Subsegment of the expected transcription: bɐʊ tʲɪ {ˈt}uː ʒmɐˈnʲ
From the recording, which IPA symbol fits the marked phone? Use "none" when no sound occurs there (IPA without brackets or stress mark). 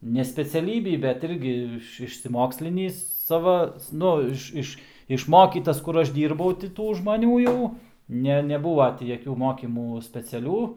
t